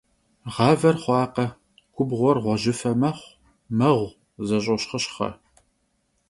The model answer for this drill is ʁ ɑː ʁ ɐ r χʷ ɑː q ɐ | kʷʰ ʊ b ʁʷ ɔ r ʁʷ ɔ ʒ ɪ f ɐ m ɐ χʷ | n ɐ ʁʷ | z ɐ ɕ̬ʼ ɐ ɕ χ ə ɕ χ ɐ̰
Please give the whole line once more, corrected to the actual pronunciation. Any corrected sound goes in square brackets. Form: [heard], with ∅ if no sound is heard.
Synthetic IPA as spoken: ʁ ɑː [v] ɐ r χʷ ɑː q ɐ | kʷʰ ʊ b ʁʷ ɔ r ʁʷ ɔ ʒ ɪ f ɐ m ɐ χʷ | [m] ɐ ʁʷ | z ɐ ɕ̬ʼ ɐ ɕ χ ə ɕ χ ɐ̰

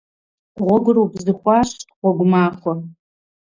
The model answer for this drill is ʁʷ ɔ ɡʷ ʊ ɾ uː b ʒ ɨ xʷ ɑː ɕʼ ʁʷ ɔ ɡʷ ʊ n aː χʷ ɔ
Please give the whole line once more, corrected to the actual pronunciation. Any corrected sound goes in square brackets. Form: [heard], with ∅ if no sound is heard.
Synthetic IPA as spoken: ʁʷ ɔ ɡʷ ʊ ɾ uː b [z] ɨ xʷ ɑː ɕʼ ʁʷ ɔ ɡʷ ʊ [m] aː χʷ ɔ

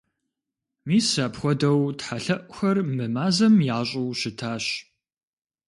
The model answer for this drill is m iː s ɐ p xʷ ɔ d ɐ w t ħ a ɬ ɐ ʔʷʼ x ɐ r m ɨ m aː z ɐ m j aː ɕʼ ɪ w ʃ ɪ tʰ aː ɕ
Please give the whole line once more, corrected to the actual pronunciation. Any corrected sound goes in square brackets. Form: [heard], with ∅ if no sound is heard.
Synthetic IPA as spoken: m iː s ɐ p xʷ ɔ d ɐ w t ħ a ɬ ɐ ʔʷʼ x ɐ r m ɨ m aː z ɐ m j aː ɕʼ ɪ w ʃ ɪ tʰ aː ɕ

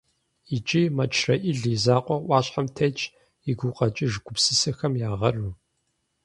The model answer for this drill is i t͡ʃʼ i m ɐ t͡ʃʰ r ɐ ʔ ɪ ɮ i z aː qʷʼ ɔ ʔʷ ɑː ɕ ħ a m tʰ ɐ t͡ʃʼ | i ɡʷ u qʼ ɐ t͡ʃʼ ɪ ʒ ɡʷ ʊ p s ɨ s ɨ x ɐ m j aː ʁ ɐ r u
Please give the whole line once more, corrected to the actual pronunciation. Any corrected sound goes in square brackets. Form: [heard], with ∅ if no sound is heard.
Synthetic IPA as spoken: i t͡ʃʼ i m ɐ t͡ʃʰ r ɐ ʔ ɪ ɮ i z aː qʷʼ ɔ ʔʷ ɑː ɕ ħ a m tʰ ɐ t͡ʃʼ | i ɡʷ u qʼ ɐ t͡ʃʼ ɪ ʒ ɡʷ ʊ p s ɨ s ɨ x ɐ m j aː ʁ ɐ r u

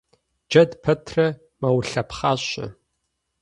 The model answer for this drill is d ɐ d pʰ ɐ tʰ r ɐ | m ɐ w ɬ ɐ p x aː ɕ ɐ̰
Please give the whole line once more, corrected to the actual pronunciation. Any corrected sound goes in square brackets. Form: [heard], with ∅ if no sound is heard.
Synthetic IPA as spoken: [d͡ʒ] ɐ d pʰ ɐ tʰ r ɐ | m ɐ w ɬ ɐ p [χ] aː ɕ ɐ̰

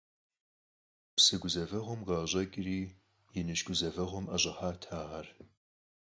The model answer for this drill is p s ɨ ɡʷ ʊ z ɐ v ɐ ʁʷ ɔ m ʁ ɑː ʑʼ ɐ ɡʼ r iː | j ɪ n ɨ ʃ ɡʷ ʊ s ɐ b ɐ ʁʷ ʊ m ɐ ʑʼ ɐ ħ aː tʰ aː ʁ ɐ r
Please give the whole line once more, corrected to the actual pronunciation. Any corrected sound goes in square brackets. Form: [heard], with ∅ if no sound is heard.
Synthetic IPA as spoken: p s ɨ ɡʷ ʊ z ɐ v ɐ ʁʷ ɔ m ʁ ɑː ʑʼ ɐ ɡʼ r iː | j ɪ n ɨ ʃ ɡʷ ʊ [z] ɐ [v] ɐ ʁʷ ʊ m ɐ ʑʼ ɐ ħ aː tʰ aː ʁ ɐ r

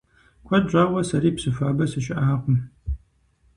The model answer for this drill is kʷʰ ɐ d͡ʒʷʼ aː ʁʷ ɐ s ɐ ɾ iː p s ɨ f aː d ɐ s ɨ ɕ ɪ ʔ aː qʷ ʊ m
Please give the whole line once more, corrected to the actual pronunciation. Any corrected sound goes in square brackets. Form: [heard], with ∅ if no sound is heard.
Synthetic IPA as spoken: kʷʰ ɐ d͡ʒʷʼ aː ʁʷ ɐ s ɐ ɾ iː p s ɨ f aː [b] ɐ s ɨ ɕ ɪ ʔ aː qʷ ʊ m

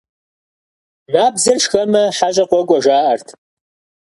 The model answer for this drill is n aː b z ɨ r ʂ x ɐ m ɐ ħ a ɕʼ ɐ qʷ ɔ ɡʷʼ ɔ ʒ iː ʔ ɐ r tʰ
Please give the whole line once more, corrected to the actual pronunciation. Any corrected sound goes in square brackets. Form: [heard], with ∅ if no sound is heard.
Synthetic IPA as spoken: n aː b z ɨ r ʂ x ɐ m ɐ ħ a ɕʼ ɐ qʷ ɔ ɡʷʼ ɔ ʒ [aː] ʔ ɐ r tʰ

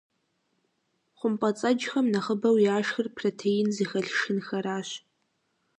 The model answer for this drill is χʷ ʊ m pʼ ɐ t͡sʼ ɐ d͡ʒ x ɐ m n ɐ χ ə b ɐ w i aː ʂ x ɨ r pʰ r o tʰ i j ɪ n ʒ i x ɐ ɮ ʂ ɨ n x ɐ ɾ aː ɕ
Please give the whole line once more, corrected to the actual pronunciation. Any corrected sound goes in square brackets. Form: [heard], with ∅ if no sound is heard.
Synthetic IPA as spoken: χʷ ʊ m pʼ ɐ t͡sʼ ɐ d͡ʒ x ɐ m n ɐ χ ə b ɐ w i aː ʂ x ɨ r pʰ r o tʰ [e] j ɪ n [z] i x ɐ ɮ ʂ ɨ n x ɐ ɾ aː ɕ

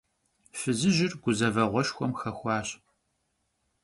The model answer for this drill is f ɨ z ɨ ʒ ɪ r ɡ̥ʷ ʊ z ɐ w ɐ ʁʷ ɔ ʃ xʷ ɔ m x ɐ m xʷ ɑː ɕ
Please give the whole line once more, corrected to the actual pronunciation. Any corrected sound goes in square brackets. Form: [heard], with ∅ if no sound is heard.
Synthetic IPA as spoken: f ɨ z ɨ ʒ ɪ r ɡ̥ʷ ʊ z ɐ [v] ɐ ʁʷ ɔ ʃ xʷ ɔ m x ɐ [∅] xʷ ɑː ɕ

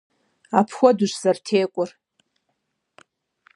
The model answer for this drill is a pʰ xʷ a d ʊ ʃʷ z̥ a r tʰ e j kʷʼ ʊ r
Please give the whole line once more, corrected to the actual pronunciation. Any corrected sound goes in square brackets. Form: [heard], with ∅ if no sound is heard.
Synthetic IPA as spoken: a pʰ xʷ a d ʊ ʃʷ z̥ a r tʰ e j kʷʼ ʊ r

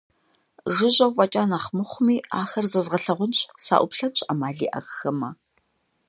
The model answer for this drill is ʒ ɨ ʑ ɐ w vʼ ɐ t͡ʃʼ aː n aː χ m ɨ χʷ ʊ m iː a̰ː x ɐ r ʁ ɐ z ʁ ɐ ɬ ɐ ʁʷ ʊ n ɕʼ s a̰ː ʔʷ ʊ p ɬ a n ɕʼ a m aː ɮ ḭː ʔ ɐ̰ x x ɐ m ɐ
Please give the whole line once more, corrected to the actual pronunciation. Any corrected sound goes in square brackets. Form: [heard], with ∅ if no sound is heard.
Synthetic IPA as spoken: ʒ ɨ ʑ ɐ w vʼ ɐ t͡ʃʼ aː n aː χ m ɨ χʷ ʊ m iː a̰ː x ɐ r [z] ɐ z ʁ ɐ ɬ ɐ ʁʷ ʊ n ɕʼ s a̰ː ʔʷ ʊ p ɬ [ɐ] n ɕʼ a m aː ɮ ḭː ʔ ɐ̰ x x ɐ m ɐ

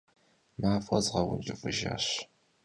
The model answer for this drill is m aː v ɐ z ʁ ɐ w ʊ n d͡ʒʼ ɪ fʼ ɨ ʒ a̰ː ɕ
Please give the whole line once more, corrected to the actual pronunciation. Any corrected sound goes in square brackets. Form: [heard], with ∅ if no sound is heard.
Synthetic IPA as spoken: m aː [f] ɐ z ʁ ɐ w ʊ n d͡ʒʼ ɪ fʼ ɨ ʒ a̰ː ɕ

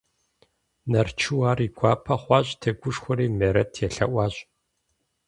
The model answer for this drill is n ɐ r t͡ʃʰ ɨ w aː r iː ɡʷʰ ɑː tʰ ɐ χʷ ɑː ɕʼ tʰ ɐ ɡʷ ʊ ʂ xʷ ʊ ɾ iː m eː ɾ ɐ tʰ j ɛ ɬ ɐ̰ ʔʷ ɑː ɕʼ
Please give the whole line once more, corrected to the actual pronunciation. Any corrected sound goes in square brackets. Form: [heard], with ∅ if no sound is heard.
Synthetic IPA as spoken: n ɐ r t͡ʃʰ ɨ w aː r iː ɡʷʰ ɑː [pʰ] ɐ χʷ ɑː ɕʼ tʰ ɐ ɡʷ ʊ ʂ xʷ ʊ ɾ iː m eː ɾ ɐ tʰ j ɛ ɬ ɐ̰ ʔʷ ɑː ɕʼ

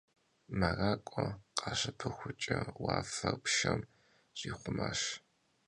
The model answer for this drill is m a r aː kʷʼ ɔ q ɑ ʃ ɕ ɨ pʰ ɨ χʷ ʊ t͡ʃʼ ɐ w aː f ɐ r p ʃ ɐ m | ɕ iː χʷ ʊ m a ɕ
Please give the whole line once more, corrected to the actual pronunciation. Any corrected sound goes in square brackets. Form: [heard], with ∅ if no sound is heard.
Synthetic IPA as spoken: m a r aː kʷʼ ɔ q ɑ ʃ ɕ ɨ pʰ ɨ [xʷ] ʊ t͡ʃʼ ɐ w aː f ɐ r p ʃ ɐ m | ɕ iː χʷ ʊ m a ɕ

